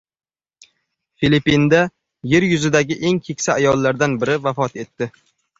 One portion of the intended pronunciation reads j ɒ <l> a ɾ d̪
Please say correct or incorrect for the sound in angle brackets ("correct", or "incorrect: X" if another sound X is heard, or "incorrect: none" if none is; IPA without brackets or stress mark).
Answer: incorrect: lː